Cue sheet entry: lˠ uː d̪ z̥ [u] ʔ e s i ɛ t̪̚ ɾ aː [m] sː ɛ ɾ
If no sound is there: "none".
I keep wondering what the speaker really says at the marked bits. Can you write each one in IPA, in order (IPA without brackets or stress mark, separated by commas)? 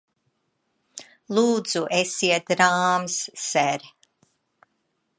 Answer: u, m